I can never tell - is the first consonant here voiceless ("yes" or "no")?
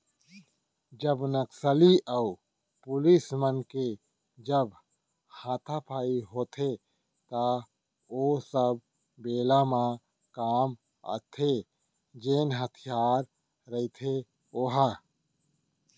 no